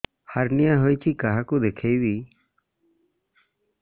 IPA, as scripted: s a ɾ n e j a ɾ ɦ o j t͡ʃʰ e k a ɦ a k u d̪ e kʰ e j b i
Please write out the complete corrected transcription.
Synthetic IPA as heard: h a ɾ n i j a ɦ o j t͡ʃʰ i k a ɦ a k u d̪ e kʰ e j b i